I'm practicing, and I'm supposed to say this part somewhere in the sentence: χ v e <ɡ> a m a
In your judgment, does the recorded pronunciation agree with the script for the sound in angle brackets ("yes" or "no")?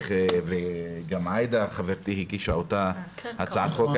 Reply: yes